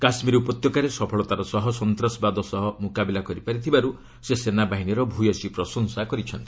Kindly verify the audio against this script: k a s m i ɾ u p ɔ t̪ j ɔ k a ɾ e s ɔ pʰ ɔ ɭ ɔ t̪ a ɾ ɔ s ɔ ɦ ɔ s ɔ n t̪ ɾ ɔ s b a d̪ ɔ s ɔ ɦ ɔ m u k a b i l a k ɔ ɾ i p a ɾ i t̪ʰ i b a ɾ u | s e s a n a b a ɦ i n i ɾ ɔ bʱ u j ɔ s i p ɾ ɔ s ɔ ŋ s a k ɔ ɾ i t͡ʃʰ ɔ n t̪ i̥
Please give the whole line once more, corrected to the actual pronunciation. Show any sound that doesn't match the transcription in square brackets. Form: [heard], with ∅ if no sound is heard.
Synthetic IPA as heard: k a s m i ɾ u p ɔ t̪ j ɔ k a ɾ e s ɔ pʰ ɔ ɭ ɔ t̪ a ɾ ɔ s ɔ ɦ ɔ s ɔ n t̪ ɾ ɔ s b a d̪ ɔ s ɔ ɦ ɔ m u k a b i l a k ɔ ɾ i p a ɾ i t̪ʰ i b a ɾ u | s e s [e] n a b a ɦ i n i ɾ ɔ bʱ u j ɔ s i p ɾ ɔ s ɔ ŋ s a k ɔ ɾ i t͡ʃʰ ɔ n t̪ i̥